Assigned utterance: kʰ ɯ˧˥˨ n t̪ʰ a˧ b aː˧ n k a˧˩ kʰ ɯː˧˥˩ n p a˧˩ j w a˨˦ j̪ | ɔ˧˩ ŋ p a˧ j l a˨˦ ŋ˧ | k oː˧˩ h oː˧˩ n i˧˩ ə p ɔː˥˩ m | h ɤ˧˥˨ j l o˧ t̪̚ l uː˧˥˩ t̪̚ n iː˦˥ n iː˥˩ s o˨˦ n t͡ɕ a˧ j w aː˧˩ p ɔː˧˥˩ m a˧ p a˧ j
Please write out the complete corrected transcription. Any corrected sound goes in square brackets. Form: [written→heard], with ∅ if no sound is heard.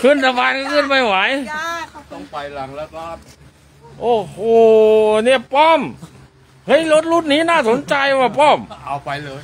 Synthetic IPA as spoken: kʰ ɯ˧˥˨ n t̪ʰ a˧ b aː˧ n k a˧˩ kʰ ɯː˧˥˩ n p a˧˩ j w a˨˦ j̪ | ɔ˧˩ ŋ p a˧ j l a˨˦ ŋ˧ | [k→ʔ] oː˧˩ h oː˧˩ n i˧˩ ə p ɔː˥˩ m | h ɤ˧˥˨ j l [o˧→o˦˥] t̪̚ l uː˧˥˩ t̪̚ n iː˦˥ n [iː˥˩→aː˥˩] s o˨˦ n t͡ɕ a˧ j w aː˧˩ p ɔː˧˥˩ m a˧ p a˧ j